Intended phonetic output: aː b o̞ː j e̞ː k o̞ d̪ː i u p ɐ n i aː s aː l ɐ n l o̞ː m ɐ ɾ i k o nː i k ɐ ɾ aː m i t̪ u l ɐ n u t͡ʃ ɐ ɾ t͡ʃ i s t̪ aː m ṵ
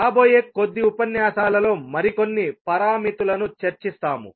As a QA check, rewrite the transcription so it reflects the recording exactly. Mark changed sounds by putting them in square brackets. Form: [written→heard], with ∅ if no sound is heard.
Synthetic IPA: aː b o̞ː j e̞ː k o̞ d̪ː i u p ɐ n [i→j] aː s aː l ɐ [n→∅] l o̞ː m ɐ ɾ i k o nː i [k→p] ɐ ɾ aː m i t̪ u l ɐ n u t͡ʃ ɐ ɾ t͡ʃ i s t̪ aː m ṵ